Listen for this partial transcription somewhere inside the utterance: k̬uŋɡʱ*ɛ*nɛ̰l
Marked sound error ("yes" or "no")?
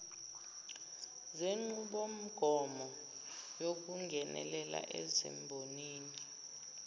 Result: no